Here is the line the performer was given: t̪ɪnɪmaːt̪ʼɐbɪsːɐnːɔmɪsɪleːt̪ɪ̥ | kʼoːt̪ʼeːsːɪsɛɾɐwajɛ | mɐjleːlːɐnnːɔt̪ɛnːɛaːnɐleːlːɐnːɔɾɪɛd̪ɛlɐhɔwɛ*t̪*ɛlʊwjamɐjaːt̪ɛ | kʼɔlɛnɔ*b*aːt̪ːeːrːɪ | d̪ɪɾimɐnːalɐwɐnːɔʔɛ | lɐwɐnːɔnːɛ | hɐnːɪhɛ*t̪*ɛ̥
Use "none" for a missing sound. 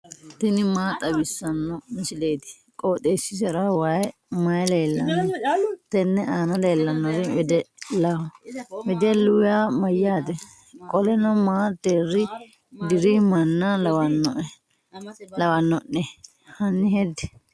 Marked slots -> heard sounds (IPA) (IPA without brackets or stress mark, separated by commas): d̪, m, d̪